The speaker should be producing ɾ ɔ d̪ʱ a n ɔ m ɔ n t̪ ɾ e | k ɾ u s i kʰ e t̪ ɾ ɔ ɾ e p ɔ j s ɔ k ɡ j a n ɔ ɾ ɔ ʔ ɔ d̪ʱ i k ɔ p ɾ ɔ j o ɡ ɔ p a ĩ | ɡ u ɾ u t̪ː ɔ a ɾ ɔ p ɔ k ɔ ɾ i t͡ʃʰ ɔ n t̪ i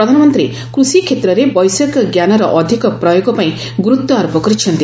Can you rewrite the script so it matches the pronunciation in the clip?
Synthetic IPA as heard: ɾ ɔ d̪ʱ a n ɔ m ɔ n t̪ ɾ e | k ɾ u s i kʰ e t̪ ɾ ɔ ɾ e b ɔ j s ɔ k ɡ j a n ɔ ɾ ɔ ʔ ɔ d̪ʱ i k ɔ p ɾ ɔ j o ɡ ɔ p a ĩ | ɡ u ɾ u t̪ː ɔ a ɾ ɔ p ɔ k ɔ ɾ i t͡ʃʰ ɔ n t̪ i